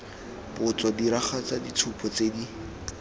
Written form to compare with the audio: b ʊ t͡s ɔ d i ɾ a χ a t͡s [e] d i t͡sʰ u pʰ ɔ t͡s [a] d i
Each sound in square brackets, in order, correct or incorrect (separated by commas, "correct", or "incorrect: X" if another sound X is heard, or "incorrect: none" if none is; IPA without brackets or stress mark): incorrect: a, incorrect: e